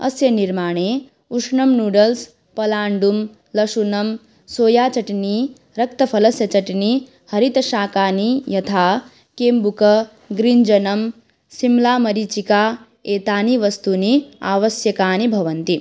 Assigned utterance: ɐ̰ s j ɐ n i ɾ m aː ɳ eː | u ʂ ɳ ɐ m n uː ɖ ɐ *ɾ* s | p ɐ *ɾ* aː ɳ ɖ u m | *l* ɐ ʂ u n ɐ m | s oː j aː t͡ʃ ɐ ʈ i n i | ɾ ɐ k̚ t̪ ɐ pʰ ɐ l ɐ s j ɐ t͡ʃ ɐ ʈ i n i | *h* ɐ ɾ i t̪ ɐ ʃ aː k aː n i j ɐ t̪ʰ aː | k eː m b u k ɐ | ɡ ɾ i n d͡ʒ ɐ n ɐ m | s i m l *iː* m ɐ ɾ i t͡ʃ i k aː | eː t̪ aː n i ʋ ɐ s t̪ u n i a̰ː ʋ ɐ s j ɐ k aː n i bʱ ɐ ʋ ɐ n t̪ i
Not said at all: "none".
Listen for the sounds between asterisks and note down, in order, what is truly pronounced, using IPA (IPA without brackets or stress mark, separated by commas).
l, l, l, h, aː